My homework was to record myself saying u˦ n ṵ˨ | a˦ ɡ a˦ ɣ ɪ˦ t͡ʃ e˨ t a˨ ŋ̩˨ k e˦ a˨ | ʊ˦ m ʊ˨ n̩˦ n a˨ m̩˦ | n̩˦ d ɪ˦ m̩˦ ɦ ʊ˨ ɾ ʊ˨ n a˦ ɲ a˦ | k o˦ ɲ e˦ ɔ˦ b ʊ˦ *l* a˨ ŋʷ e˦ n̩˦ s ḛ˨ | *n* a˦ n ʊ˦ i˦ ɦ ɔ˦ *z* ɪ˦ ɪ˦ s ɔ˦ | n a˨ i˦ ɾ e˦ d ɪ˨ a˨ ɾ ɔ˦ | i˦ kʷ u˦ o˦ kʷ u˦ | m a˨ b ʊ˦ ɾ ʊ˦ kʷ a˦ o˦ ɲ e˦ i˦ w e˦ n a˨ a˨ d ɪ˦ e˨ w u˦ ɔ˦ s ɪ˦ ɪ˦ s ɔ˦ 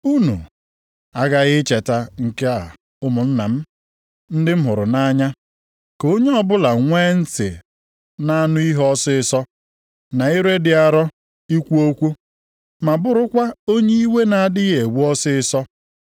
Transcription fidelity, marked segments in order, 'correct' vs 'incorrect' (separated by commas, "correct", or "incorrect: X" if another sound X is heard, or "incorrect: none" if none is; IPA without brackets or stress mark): correct, correct, incorrect: s